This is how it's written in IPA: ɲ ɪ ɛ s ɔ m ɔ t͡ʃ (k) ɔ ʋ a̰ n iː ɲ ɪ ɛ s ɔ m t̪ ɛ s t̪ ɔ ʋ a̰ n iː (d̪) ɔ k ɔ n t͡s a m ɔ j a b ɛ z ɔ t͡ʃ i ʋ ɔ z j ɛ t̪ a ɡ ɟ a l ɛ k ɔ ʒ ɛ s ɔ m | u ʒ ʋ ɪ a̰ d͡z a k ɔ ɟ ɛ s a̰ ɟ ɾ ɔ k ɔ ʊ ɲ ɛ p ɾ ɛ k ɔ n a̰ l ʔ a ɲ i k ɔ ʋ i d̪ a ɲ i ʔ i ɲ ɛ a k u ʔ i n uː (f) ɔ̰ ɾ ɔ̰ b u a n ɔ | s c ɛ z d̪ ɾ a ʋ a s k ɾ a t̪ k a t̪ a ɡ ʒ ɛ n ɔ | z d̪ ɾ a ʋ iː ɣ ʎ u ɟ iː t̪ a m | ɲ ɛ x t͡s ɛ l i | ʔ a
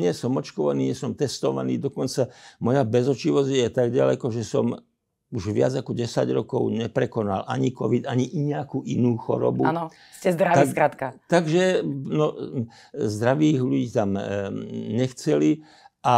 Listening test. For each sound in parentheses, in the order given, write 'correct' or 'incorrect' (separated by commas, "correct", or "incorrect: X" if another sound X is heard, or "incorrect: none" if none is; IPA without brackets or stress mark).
correct, correct, incorrect: x